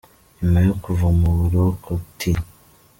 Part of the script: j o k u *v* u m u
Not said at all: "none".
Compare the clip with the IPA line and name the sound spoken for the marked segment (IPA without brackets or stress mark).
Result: v